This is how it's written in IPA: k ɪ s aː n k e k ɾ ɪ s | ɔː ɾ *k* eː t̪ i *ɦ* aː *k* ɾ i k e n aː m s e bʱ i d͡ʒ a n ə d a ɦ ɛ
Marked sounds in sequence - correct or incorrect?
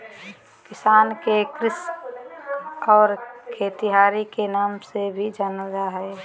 incorrect, correct, incorrect

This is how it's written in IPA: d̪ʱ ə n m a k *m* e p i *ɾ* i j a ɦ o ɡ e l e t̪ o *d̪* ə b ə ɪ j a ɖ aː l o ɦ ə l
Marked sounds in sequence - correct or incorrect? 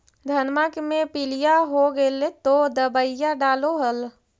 correct, incorrect, correct

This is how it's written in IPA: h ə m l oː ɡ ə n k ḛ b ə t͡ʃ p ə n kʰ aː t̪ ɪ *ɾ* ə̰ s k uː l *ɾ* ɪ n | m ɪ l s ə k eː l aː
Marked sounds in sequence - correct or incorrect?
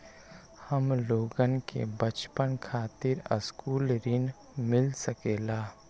correct, correct

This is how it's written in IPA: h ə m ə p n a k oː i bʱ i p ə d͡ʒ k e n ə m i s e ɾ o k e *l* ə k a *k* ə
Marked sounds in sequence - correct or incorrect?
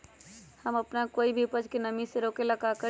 correct, correct

